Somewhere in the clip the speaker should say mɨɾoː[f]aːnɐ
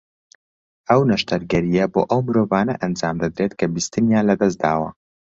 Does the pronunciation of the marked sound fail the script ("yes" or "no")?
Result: yes